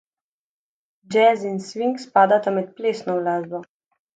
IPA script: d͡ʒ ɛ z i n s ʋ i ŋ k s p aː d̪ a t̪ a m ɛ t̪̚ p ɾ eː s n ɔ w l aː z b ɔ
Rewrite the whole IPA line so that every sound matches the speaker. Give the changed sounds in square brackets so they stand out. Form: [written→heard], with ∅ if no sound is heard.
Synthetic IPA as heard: d͡ʒ ɛ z i n s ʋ i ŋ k s p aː d̪ a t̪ a m ɛ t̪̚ p [ɾ→l] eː s n ɔ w l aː z b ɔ